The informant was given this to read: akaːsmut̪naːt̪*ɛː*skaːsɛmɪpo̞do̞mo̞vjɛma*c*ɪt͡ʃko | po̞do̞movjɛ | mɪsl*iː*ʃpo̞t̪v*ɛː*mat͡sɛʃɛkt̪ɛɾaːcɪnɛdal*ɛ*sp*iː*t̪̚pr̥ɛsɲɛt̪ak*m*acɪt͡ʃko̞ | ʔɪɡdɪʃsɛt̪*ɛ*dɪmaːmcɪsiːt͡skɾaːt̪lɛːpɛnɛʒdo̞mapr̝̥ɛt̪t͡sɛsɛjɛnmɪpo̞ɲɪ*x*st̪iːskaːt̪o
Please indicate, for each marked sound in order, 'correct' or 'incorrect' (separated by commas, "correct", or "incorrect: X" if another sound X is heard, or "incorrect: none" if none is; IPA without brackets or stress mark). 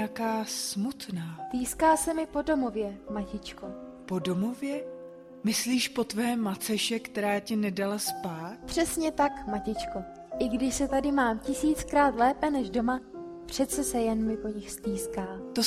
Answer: incorrect: iː, correct, correct, correct, incorrect: a, incorrect: aː, correct, incorrect: a, correct